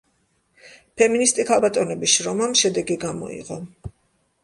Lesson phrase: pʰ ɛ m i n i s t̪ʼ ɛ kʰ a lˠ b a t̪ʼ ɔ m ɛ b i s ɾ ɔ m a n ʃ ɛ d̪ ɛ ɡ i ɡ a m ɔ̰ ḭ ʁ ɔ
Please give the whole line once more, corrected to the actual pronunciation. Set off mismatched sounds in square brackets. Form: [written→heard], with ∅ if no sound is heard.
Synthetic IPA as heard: pʰ ɛ m i n i s t̪ʼ [ɛ→i] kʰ a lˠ b a t̪ʼ ɔ [m→n] ɛ b i [s→ʃ] ɾ ɔ m a [n→m] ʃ ɛ d̪ ɛ ɡ i ɡ a m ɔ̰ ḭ ʁ ɔ